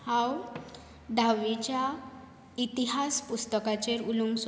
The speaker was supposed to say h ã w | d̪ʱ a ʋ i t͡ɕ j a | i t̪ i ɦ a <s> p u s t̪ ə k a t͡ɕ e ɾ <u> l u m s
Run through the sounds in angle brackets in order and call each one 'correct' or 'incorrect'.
correct, correct

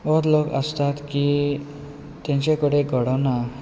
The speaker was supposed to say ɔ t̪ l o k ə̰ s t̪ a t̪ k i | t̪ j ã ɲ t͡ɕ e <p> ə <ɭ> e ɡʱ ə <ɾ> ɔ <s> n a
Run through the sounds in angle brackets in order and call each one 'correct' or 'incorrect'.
incorrect, incorrect, incorrect, incorrect

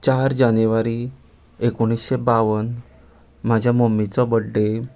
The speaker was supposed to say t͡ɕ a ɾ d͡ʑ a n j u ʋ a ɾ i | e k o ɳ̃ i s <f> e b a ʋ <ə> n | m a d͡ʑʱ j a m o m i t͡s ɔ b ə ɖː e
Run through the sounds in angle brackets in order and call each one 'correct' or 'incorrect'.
incorrect, correct

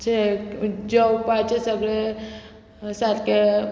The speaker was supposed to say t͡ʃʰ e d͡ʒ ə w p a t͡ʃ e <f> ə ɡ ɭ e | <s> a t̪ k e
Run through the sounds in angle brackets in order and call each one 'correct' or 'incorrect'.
incorrect, correct

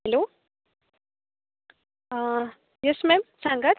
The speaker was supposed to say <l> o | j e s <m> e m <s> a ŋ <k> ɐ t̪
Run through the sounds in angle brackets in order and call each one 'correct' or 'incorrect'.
correct, correct, correct, incorrect

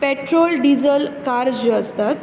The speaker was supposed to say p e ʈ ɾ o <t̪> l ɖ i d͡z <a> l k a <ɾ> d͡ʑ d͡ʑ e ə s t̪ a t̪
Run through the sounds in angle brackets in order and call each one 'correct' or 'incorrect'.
incorrect, incorrect, correct

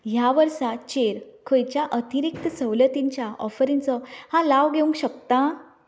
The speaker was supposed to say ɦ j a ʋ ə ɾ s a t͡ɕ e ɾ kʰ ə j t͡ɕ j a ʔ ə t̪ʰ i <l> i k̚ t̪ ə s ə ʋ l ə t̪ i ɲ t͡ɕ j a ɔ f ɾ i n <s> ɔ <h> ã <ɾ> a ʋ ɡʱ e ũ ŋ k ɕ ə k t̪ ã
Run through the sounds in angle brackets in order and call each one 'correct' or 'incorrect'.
incorrect, incorrect, correct, incorrect

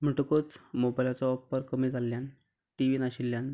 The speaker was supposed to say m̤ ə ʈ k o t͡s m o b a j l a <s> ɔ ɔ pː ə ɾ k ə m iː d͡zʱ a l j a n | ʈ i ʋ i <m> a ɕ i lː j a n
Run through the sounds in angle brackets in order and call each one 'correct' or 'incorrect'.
incorrect, incorrect

